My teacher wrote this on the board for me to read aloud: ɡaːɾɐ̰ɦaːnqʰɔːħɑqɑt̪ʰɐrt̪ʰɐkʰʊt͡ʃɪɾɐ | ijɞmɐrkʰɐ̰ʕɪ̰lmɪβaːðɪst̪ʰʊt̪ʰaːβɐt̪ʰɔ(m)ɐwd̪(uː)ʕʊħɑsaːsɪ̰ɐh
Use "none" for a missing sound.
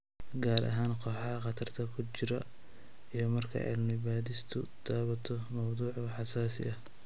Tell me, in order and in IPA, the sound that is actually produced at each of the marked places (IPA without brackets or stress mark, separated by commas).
m, uː